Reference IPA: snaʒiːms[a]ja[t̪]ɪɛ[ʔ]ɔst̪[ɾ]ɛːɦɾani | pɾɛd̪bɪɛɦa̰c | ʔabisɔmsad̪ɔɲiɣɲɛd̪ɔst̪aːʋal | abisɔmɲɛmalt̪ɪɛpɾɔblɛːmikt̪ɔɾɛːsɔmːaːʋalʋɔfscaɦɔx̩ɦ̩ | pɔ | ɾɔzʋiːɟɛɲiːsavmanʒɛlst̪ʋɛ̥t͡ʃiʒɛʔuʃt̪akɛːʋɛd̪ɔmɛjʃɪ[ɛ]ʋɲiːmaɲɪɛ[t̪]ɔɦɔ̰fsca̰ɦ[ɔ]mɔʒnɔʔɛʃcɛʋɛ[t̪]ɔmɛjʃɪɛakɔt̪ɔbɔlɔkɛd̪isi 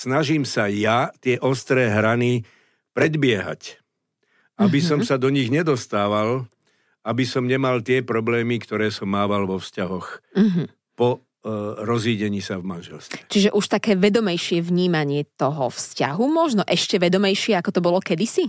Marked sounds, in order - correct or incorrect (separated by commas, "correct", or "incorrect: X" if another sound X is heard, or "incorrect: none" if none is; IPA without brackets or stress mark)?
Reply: correct, correct, correct, correct, correct, correct, incorrect: u, incorrect: d̪